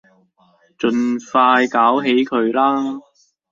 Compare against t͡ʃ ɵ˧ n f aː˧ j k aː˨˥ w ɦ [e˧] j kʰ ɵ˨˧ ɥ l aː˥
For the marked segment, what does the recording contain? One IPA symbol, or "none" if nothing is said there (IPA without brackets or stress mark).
e˨˥